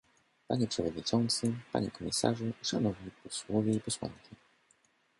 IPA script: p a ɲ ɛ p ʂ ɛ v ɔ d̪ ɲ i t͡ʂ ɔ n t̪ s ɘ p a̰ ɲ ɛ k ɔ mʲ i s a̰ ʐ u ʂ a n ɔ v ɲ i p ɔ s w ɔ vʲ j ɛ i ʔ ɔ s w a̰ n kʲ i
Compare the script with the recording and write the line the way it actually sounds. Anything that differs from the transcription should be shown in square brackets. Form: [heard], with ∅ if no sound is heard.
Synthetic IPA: p a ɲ ɛ p ʂ ɛ v ɔ d̪ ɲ i t͡ʂ ɔ n t̪ s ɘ p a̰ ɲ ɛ k ɔ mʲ i s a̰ ʐ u ʂ a n ɔ v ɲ i p ɔ s w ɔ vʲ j ɛ i [p] ɔ s w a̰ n kʲ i